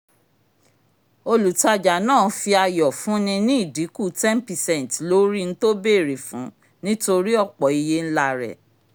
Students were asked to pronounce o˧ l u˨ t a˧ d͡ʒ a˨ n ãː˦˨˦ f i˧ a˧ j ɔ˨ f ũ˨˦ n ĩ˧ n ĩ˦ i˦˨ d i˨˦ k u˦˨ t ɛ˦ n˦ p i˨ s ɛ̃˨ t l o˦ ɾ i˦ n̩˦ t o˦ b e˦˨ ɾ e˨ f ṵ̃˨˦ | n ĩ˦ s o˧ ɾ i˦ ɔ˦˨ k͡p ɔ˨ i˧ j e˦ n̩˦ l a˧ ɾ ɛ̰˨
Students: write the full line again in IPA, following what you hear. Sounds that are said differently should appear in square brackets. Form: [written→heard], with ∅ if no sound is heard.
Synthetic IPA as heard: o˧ l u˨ t a˧ d͡ʒ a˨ n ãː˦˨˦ f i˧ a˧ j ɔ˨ f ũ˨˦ n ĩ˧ n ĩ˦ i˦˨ d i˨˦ k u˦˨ t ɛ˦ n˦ p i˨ s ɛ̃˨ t l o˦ ɾ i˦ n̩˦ t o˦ b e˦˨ ɾ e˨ f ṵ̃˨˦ | n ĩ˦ [s→t] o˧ ɾ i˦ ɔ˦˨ k͡p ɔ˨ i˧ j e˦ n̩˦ l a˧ ɾ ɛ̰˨

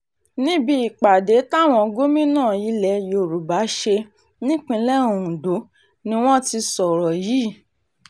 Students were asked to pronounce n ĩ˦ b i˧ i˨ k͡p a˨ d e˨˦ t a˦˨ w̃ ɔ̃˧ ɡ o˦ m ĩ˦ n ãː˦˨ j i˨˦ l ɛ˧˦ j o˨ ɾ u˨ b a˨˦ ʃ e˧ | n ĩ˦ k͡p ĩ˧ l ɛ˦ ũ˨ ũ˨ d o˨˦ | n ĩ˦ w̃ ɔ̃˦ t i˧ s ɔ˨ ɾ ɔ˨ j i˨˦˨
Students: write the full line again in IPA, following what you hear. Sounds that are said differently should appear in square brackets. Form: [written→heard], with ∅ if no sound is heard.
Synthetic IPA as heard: n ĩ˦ b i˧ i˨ k͡p a˨ d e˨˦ t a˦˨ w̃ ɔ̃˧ ɡ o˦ m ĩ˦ n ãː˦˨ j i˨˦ l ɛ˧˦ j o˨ ɾ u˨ b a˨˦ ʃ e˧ | n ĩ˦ k͡p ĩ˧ l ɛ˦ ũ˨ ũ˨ d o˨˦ | n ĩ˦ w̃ ɔ̃˦ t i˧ s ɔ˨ ɾ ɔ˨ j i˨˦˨

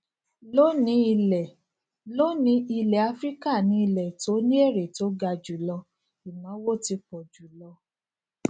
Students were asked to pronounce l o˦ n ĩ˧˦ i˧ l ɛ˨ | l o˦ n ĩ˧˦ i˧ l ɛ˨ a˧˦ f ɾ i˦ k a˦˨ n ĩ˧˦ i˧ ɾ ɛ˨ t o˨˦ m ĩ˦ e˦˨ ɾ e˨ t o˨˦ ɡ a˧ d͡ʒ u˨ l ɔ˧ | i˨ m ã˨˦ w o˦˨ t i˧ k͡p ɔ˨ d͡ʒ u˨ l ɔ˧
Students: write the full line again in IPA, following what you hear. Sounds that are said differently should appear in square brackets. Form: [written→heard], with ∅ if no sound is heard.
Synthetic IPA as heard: l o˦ n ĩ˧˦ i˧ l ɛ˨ | l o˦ n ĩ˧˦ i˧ l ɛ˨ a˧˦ f ɾ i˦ k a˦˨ n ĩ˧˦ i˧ [ɾ→l] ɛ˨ t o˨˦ [m→n] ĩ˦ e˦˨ ɾ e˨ t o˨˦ ɡ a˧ d͡ʒ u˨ l ɔ˧ | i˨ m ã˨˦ w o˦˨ t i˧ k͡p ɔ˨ d͡ʒ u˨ l ɔ˧

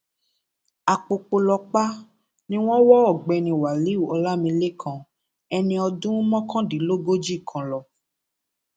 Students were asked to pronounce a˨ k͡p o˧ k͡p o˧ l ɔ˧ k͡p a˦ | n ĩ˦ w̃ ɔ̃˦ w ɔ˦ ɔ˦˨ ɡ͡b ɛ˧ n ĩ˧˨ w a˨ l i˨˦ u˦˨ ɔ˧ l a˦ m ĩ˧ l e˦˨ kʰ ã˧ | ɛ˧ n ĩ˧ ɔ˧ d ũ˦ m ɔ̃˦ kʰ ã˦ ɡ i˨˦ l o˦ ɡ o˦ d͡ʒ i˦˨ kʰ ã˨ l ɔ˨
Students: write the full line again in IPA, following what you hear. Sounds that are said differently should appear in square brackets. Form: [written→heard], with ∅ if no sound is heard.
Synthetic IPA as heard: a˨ k͡p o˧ k͡p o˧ l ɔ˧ k͡p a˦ | n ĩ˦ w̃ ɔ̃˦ w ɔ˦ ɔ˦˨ ɡ͡b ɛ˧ n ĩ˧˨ w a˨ l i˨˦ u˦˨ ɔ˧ l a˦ m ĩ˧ l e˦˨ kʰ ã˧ | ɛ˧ n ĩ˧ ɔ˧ d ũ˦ m ɔ̃˦ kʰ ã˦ [ɡ→d] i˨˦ l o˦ ɡ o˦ d͡ʒ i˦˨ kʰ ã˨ l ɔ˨

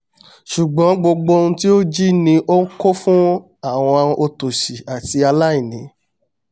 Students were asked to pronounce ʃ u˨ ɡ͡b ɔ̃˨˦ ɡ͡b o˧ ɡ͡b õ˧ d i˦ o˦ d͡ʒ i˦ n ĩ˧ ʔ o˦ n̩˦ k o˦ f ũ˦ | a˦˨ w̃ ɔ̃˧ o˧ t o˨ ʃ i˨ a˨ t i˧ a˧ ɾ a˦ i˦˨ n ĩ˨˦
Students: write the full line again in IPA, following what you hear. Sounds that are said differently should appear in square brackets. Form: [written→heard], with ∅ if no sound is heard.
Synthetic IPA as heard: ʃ u˨ ɡ͡b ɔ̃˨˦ ɡ͡b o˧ ɡ͡b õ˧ [d→t] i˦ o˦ d͡ʒ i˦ n ĩ˧ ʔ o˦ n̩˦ k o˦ f ũ˦ | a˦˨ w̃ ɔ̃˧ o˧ t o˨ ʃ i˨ a˨ t i˧ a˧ [ɾ→l] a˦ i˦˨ n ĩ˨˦

